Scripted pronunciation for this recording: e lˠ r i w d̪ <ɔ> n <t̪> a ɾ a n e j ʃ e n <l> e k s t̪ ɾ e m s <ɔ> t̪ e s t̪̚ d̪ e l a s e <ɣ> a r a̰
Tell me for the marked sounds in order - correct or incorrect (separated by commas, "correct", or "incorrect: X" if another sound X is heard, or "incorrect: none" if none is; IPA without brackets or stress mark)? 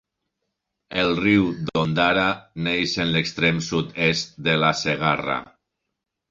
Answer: incorrect: o, incorrect: d̪, correct, incorrect: u, correct